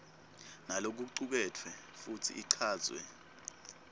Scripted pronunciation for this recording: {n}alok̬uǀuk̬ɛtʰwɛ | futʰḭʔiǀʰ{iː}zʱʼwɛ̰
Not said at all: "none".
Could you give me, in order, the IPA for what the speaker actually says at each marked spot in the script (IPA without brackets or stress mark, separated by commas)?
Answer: n, aː